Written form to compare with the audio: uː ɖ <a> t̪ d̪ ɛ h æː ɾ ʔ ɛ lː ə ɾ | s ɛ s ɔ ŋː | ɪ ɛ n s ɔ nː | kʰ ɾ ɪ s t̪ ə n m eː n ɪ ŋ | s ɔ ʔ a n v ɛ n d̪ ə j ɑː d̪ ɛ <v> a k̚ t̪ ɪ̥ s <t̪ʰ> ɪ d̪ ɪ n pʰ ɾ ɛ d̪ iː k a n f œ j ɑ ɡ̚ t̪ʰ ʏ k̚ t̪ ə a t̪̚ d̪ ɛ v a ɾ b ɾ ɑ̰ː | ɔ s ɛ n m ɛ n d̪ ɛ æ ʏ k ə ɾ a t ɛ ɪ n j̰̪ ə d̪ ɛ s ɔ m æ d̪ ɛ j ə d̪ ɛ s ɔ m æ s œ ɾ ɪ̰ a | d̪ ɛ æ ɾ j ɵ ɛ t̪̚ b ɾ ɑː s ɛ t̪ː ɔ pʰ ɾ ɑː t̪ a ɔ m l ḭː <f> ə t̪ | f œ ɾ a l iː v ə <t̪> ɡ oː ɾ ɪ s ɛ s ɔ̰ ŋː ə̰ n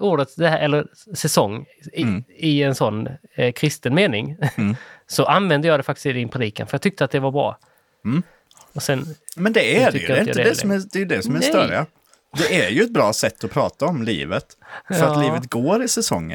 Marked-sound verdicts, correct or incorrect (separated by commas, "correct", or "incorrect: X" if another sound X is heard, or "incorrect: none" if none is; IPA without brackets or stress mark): incorrect: ə, incorrect: f, incorrect: t̪, incorrect: v, correct